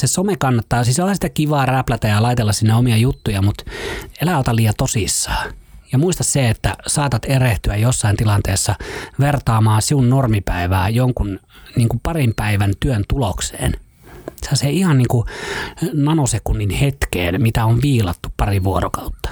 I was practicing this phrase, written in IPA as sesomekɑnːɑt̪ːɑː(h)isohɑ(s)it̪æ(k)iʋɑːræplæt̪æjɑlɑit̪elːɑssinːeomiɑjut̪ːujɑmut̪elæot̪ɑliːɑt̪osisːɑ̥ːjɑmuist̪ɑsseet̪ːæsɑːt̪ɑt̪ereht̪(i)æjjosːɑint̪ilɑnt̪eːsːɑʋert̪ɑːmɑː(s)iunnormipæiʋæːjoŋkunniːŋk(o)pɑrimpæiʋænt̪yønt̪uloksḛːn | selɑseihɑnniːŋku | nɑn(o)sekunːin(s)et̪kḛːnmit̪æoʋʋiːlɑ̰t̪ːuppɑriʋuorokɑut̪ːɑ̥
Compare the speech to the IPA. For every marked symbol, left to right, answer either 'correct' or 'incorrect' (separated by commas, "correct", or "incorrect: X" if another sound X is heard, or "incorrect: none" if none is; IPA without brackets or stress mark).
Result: incorrect: s, correct, correct, incorrect: y, correct, incorrect: u, correct, incorrect: h